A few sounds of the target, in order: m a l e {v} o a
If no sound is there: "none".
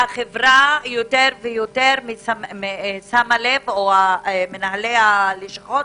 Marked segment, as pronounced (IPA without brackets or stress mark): v